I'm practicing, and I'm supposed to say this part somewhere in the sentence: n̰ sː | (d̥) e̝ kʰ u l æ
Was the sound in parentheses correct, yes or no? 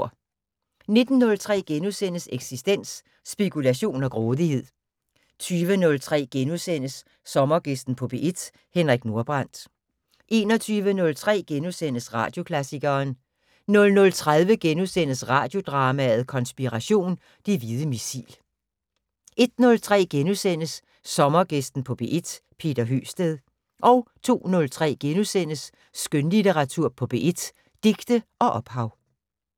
no